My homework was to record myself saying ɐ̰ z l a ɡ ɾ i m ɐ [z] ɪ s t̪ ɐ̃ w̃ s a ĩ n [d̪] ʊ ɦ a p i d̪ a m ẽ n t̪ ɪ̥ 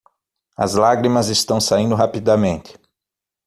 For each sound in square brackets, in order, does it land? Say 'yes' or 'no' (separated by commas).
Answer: yes, yes